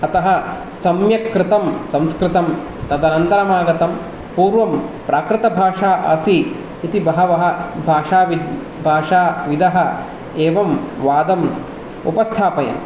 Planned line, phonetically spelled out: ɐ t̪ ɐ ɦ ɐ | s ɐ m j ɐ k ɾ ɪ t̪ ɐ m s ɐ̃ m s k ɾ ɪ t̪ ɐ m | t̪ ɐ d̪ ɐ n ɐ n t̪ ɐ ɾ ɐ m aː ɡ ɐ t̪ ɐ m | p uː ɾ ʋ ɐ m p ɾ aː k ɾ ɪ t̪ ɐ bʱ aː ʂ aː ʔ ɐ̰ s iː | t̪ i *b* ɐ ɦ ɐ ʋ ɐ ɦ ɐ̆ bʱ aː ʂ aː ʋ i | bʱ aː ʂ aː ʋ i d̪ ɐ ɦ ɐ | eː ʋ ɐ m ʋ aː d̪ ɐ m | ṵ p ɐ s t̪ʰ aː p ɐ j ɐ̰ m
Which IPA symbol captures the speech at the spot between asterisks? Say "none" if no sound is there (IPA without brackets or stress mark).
b